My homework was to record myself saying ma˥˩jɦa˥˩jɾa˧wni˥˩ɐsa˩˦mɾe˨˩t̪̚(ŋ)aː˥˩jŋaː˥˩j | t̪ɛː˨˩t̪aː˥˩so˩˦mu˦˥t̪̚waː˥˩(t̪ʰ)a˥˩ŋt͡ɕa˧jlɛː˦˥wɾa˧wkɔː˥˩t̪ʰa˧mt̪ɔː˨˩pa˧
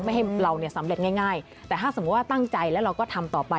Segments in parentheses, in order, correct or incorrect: correct, incorrect: t̪

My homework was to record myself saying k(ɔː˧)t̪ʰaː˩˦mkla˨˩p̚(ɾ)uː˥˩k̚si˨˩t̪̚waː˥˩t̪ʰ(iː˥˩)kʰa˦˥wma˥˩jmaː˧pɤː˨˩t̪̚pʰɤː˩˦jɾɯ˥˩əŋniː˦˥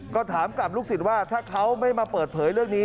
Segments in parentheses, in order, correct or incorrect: incorrect: ɔː˥˩, incorrect: l, incorrect: aː˥˩

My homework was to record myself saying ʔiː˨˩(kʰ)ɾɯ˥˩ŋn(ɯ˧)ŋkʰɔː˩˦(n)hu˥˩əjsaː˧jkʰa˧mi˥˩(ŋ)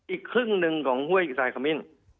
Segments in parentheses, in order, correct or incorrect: correct, correct, incorrect: ŋ, incorrect: n

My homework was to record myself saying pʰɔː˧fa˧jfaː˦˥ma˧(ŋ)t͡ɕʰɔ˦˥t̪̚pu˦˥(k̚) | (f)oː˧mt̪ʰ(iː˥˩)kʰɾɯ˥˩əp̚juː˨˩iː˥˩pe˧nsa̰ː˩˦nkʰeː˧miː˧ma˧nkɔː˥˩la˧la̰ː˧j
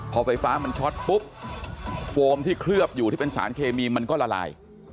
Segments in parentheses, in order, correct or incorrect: incorrect: n, incorrect: p̚, correct, correct

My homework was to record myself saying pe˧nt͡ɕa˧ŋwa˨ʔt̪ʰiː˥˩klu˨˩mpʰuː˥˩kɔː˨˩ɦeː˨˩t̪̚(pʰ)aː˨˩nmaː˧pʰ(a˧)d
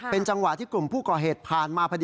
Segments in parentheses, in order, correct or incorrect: correct, correct

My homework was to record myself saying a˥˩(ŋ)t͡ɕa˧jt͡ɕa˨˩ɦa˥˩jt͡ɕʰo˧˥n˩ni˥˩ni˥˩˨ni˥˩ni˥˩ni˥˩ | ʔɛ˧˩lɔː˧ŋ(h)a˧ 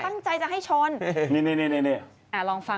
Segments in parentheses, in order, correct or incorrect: correct, incorrect: f

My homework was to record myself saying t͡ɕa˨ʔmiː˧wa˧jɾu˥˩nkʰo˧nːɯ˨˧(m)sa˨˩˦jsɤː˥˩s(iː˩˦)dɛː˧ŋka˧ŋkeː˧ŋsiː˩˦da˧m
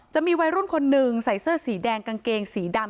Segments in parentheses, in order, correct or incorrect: incorrect: ŋ, correct

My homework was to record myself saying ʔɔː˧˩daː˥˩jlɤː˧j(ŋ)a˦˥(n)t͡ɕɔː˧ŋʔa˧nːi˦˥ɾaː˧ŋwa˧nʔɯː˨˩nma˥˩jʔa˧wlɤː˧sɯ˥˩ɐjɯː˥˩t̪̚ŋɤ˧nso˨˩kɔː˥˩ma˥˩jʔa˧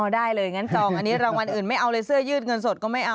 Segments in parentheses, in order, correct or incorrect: correct, correct

